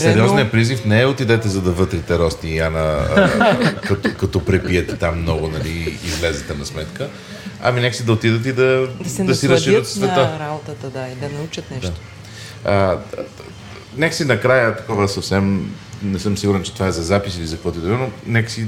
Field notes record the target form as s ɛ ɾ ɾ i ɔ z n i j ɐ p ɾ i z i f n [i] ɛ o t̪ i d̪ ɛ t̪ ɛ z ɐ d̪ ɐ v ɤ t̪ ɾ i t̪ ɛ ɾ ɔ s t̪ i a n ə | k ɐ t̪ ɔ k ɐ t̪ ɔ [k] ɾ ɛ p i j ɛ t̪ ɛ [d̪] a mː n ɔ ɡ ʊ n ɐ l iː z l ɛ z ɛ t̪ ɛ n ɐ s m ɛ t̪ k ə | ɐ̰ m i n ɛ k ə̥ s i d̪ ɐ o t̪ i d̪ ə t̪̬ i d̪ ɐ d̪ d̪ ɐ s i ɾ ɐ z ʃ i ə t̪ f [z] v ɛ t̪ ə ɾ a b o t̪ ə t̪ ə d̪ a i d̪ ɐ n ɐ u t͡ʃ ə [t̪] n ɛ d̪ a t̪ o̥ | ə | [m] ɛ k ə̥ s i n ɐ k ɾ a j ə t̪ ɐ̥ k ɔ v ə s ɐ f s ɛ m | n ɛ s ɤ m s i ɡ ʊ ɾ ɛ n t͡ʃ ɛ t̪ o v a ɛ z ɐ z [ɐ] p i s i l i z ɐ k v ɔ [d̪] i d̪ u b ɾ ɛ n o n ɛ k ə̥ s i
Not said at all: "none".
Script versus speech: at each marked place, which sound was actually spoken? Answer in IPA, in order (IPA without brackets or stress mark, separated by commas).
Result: ɛ, p, t̪, s, t̪, n, a, t̪